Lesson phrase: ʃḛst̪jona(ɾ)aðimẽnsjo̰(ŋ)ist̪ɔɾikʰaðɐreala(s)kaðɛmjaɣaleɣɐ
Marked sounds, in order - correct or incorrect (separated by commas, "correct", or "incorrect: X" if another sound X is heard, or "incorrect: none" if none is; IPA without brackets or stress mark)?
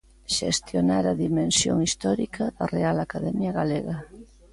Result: correct, correct, incorrect: none